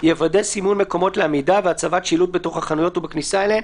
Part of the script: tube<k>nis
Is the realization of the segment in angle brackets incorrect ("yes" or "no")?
no